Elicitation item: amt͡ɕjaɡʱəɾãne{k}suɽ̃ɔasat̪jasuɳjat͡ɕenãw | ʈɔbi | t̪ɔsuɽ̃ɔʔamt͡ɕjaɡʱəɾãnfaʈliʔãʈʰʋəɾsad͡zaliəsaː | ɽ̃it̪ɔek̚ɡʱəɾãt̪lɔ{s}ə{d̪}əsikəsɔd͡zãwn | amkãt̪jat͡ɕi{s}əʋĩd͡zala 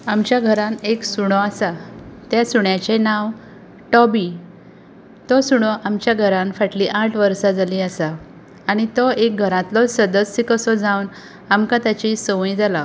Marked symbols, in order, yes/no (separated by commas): yes, yes, yes, yes